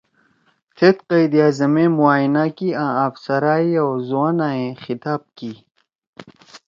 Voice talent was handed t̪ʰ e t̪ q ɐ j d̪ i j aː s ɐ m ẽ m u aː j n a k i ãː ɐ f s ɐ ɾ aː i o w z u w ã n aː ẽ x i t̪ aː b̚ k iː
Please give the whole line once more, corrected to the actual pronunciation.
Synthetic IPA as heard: t̪ʰ e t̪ q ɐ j d̪ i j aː z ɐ m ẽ m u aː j n a k i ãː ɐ f s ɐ ɾ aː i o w z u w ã n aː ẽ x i t̪ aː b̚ k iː